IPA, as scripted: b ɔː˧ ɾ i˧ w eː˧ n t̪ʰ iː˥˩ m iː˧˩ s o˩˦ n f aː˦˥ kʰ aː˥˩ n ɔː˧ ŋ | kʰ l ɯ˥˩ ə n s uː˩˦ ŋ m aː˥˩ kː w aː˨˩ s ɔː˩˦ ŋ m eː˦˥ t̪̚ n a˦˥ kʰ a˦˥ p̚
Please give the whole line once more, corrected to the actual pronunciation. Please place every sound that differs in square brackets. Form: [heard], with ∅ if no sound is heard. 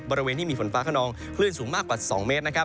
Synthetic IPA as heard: b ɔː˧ ɾ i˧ w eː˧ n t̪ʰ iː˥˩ m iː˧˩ [f] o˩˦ n f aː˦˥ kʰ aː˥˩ n ɔː˧ ŋ | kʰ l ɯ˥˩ ə n s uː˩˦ ŋ m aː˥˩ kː w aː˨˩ s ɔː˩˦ ŋ m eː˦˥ t̪̚ n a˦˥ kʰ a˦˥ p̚